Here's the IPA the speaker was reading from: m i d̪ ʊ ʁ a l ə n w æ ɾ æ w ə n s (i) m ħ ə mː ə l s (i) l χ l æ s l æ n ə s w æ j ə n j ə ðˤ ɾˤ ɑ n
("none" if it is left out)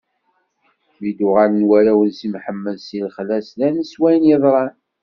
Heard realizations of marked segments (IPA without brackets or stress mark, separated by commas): i, i